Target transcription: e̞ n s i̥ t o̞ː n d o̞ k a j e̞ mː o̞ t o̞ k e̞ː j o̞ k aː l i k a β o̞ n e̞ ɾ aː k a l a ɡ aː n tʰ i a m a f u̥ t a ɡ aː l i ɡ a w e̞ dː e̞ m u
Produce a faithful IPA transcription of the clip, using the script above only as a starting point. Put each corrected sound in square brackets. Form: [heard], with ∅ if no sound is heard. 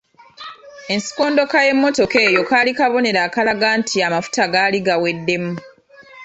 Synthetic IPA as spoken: e̞ n s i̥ [k] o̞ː n d o̞ k a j e̞ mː o̞ t o̞ k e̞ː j o̞ k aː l i k a β o̞ n e̞ ɾ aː k a l a ɡ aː n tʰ i a m a f u̥ t a ɡ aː l i ɡ a w e̞ dː e̞ m u